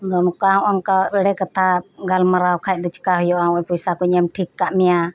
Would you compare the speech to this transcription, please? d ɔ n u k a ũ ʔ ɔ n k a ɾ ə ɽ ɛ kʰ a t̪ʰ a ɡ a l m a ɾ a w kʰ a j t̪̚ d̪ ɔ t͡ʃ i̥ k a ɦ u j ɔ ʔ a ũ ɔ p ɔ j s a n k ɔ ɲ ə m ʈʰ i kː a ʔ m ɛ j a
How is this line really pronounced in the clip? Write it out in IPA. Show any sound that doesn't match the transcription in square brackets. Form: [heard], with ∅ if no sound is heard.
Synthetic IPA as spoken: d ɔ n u k a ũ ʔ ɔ n k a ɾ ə ɽ ɛ [k] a t̪ʰ a ɡ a l m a ɾ a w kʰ a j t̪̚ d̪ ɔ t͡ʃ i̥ k a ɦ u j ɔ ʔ a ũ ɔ p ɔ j s a [∅] k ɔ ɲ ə m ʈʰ i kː a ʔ m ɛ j a

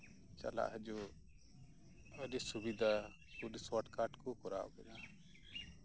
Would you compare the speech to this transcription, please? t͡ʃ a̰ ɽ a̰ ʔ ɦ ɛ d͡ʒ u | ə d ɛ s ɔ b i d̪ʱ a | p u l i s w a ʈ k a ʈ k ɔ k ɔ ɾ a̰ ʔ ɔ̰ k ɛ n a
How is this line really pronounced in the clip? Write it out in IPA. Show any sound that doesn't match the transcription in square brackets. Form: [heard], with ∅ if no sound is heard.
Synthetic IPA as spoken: t͡ʃ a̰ [l] a̰ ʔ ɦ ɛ d͡ʒ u | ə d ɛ s [u] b i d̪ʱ a | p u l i s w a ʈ k a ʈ k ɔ k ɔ ɾ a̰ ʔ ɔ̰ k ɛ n a

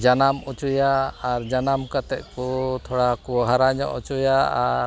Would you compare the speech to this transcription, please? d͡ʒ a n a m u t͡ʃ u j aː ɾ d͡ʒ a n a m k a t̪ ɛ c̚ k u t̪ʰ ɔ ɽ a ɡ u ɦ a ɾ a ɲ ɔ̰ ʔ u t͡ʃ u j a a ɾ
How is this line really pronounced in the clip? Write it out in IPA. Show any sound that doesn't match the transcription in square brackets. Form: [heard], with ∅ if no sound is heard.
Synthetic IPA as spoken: d͡ʒ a n a m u t͡ʃ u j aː ɾ d͡ʒ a n a m k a t̪ ɛ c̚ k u t̪ʰ ɔ ɽ a [k] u ɦ a ɾ a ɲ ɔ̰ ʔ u t͡ʃ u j a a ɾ

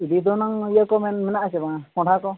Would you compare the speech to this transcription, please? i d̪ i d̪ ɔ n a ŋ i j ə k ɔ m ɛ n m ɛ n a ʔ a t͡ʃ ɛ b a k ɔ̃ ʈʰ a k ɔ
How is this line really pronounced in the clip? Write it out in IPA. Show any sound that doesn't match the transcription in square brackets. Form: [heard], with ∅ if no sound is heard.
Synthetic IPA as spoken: i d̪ i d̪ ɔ n a ŋ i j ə k ɔ m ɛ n m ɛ n a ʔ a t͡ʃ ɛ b a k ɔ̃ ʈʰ a k ɔ

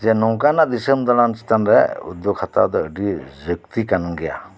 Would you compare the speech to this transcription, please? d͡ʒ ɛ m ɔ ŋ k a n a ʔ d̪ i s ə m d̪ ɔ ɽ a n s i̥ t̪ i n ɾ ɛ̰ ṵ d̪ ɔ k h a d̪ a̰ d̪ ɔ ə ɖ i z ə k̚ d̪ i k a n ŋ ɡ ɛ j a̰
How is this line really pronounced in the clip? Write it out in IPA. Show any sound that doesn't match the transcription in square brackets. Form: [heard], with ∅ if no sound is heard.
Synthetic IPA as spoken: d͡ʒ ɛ [n] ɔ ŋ k a n a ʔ d̪ i s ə m d̪ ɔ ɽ a n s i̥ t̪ [a] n ɾ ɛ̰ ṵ d̪ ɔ k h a [t̪] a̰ d̪ ɔ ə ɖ i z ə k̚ [t̪] i k a n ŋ ɡ ɛ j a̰

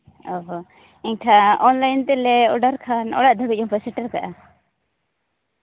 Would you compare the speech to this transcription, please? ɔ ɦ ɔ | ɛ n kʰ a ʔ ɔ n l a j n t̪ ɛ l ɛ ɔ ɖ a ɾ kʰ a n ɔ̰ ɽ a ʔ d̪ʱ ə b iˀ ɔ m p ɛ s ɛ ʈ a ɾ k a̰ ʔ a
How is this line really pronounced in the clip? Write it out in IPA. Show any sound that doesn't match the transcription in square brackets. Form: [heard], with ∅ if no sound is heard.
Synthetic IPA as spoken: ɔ ɦ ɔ | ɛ [ɲ] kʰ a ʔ ɔ n l a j n t̪ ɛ l ɛ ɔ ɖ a ɾ kʰ a n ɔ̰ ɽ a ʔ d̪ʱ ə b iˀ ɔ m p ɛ s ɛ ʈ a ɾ k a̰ ʔ a

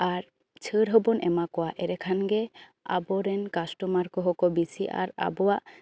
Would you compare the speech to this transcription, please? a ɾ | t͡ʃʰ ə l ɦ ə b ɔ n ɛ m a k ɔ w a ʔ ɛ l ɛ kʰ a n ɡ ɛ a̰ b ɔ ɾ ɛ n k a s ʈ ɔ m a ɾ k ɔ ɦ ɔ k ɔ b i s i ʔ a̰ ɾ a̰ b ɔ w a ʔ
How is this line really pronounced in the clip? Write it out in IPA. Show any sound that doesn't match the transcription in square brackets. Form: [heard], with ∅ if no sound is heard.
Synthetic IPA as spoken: a ɾ | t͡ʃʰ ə [ɾ] ɦ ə b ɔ n ɛ m a k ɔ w a ʔ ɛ [ɾ] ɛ kʰ a n ɡ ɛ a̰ b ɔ ɾ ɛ n k a s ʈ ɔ m a ɾ k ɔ ɦ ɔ k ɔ b i s i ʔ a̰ ɾ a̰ b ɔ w a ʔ

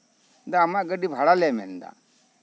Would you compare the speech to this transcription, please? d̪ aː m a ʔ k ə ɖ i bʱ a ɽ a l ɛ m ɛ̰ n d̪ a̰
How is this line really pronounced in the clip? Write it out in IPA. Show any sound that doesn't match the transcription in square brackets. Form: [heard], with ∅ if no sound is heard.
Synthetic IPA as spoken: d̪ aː m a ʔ [ɡ] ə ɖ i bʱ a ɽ a l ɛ m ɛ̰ n d̪ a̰

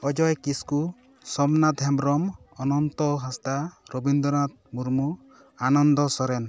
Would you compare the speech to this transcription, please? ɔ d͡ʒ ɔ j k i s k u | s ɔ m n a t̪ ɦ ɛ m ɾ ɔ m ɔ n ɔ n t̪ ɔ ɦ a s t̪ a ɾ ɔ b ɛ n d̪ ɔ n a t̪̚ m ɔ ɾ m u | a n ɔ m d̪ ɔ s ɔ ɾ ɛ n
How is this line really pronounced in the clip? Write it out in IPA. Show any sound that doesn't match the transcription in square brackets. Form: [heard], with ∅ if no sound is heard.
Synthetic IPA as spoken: ɔ d͡ʒ ɔ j k i s k u | s ɔ m n a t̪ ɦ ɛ m ɾ ɔ m ɔ n ɔ n t̪ ɔ ɦ a s t̪ a ɾ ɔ b [i] n d̪ ɔ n a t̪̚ m [u] ɾ m u | a n ɔ [n] d̪ ɔ s ɔ ɾ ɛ n

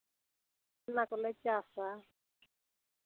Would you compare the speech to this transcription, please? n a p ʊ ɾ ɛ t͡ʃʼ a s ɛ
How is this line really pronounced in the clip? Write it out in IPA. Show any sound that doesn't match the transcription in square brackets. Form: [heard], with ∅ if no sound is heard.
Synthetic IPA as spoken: n a [k] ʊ [l] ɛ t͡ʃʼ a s [a]

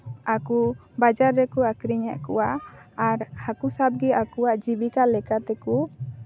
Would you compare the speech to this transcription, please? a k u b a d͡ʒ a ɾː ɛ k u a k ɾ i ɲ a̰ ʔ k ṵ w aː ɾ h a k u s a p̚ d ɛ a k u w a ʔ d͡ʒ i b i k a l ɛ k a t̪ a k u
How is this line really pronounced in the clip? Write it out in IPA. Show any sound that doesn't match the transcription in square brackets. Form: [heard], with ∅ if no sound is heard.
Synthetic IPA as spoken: a k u b a d͡ʒ a ɾː ɛ k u a k ɾ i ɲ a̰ ʔ k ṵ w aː ɾ h a k u s a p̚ [ɡ] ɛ a k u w a ʔ d͡ʒ i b i k a l ɛ k a t̪ [ɛ] k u

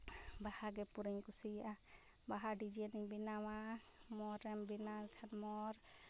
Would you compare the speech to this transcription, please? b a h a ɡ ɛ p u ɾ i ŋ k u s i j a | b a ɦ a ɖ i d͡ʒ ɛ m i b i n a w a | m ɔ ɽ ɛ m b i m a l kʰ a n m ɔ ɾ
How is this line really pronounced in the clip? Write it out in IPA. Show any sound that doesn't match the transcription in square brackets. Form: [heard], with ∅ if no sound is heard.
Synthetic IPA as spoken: b a h a ɡ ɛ p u ɾ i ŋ k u s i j a | b a ɦ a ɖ i d͡ʒ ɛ [n] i b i n a w a | m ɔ [ɾ] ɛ m b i [n] a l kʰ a n m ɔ ɾ

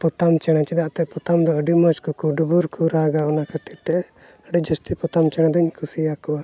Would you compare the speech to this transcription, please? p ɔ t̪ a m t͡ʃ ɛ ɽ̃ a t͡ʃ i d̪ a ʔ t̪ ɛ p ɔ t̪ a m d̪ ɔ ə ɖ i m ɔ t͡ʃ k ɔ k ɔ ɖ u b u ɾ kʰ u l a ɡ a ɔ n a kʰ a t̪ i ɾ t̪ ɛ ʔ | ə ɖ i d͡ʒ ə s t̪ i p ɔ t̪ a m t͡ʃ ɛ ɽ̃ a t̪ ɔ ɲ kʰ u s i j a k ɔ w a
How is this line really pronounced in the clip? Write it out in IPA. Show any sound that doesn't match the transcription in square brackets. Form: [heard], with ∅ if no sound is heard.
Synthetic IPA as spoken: p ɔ t̪ a m t͡ʃ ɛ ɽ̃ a t͡ʃ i d̪ a ʔ t̪ ɛ p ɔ t̪ a m d̪ ɔ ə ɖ i m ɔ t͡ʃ k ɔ k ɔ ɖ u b u ɾ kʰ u [ɾ] a ɡ a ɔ n a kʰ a t̪ i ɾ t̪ ɛ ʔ | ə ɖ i d͡ʒ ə s t̪ i p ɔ t̪ a m t͡ʃ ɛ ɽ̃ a [d̪] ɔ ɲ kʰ u s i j a k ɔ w a

